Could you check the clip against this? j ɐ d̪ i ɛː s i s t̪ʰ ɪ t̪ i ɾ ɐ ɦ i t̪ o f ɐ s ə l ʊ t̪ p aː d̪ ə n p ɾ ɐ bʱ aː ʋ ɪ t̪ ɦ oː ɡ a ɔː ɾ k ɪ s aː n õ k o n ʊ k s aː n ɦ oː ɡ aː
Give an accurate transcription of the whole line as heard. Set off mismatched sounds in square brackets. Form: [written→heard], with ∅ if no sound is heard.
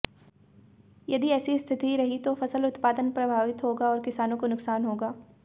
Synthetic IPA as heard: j ɐ d̪ i ɛː s i s t̪ʰ ɪ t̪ i ɾ ɐ ɦ i t̪ o f ɐ s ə l ʊ t̪ p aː d̪ ə n p ɾ ɐ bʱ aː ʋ ɪ t̪ ɦ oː ɡ a ɔː ɾ k ɪ s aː n õ k o n ʊ k s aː n ɦ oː ɡ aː